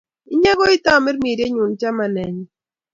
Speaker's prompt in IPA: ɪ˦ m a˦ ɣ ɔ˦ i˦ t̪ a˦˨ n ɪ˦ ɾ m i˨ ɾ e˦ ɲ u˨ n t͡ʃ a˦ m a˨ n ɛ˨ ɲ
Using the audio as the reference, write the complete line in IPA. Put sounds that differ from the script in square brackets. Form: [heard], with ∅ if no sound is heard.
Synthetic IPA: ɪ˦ [ɲ] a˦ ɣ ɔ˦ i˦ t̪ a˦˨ [m] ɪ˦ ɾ m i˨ ɾ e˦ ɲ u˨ n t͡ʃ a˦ m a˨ n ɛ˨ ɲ